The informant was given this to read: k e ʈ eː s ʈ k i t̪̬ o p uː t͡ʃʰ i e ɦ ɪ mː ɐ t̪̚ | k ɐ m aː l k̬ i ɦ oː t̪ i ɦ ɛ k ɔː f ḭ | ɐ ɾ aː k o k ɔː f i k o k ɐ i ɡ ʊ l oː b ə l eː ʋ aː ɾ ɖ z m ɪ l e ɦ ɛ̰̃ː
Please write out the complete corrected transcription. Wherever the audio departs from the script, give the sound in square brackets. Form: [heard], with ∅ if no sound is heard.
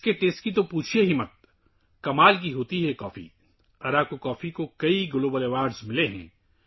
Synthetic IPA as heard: k e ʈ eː s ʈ k i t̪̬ o p uː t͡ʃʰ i e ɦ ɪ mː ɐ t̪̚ | k ɐ m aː l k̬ i ɦ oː t̪ i ɦ ɛ k ɔː f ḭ | ɐ ɾ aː k o k ɔː f i k o k ɐ i ɡ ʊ l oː b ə l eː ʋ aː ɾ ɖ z m ɪ l e ɦ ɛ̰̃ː

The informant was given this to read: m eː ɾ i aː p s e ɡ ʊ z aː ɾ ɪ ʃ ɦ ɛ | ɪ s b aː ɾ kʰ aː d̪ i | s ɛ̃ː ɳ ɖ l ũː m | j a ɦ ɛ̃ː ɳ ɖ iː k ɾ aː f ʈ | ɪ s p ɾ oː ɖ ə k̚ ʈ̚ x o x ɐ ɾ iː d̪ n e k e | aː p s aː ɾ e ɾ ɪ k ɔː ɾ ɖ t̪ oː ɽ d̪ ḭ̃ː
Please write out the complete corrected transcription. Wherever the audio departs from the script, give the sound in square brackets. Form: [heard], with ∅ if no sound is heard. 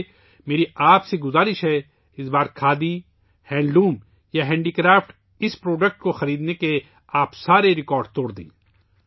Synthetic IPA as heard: m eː ɾ i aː p s e ɡ ʊ z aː ɾ ɪ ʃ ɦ ɛ | ɪ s b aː ɾ kʰ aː d̪ i | [h] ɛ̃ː ɳ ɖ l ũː m | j a ɦ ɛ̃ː ɳ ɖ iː k ɾ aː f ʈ | ɪ s p ɾ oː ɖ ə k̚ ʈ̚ [k] o x ɐ ɾ iː d̪ n e k e | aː p s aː ɾ e ɾ ɪ k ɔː ɾ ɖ t̪ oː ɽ d̪ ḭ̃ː

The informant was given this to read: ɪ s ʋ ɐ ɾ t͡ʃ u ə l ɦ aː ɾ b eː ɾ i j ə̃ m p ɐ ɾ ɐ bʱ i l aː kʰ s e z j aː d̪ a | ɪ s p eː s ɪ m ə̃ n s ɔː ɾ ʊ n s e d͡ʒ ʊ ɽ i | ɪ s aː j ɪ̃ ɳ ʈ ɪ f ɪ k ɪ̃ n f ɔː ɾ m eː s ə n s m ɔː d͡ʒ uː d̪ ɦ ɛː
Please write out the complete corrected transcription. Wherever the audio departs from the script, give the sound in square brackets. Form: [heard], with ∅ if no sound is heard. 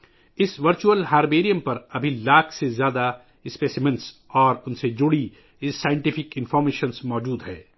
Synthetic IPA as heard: ɪ s ʋ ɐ ɾ t͡ʃ u ə l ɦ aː ɾ b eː ɾ i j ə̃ m p ɐ ɾ ɐ bʱ i l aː kʰ s e z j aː d̪ a | ɪ s p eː s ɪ m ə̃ n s ɔː ɾ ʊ n s e d͡ʒ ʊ ɽ i | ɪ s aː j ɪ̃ ɳ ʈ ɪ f ɪ k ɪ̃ n f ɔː ɾ m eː [ʃ] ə n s m ɔː d͡ʒ uː d̪ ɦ ɛː

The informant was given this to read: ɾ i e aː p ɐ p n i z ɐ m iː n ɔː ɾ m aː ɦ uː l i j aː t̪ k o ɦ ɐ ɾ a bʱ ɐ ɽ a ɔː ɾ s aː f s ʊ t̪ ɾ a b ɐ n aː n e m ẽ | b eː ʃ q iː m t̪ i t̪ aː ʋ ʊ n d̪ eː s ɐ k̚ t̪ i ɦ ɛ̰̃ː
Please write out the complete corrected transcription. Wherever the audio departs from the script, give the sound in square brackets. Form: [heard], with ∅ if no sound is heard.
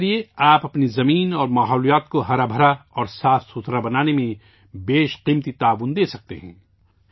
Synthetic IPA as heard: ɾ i e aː p ɐ p n i z ɐ m iː n ɔː ɾ m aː ɦ [ɔː] l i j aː t̪ k o ɦ ɐ ɾ a bʱ ɐ [ɾ] a ɔː ɾ s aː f s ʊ t̪ ɾ a b ɐ n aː n e m ẽ | b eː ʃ q iː m t̪ i t̪ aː ʋ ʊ n d̪ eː s ɐ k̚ t̪ [e] ɦ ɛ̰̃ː

